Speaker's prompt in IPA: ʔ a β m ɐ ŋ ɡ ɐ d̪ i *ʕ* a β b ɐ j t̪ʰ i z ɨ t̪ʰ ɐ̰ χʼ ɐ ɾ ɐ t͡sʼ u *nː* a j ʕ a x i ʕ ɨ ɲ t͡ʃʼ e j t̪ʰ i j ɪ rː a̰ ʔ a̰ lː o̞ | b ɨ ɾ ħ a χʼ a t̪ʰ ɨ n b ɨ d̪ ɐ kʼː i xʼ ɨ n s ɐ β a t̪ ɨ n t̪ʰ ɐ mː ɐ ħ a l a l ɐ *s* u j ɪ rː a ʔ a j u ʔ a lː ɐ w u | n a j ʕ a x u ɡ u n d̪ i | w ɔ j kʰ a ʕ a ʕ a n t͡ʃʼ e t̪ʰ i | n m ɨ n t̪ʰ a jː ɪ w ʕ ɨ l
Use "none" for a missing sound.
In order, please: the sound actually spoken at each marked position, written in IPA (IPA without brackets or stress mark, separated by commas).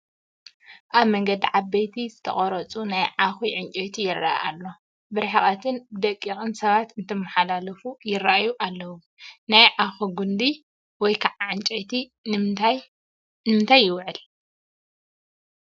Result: ʕ, n, f